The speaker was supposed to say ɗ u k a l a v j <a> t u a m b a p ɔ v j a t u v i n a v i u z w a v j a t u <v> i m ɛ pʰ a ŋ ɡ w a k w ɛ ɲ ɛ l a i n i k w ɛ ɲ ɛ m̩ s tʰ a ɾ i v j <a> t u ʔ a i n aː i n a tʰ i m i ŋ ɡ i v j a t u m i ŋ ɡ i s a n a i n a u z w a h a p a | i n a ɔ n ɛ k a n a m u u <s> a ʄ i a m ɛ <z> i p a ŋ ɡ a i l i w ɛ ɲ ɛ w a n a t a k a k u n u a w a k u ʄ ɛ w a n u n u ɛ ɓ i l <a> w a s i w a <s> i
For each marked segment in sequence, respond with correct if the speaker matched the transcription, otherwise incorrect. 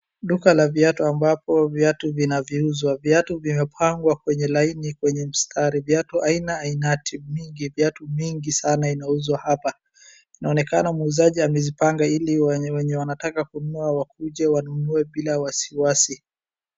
correct, correct, correct, incorrect: z, correct, correct, correct

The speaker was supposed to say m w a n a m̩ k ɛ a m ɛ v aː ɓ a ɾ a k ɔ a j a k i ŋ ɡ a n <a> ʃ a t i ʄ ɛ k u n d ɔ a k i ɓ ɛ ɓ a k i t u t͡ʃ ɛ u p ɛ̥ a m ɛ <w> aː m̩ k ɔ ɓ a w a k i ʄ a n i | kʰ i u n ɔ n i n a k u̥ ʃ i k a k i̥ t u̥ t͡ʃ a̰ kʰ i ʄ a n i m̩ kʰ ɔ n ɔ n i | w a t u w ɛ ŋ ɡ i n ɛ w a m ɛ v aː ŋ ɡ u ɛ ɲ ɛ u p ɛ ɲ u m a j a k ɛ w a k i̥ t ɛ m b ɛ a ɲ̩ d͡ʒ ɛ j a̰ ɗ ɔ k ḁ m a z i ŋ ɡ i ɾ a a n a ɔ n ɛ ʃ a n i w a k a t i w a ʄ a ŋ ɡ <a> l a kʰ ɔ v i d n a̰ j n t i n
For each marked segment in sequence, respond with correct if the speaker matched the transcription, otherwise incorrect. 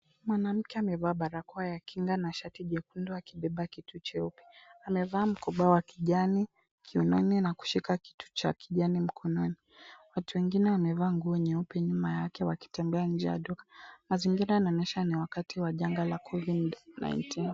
correct, incorrect: v, correct

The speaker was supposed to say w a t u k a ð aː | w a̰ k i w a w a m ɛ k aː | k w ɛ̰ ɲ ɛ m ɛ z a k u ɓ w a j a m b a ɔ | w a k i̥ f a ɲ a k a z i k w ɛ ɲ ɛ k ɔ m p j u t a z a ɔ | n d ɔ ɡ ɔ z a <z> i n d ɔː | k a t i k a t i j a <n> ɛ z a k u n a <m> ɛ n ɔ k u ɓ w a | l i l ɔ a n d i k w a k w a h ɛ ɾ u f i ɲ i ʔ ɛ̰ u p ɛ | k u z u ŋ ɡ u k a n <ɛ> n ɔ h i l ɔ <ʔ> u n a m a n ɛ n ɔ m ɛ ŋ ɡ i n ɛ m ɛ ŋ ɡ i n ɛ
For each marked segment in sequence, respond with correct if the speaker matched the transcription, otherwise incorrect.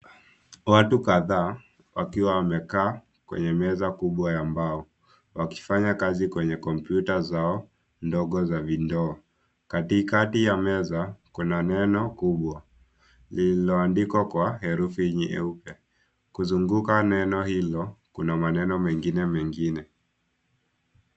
incorrect: v, incorrect: m, incorrect: n, correct, incorrect: k

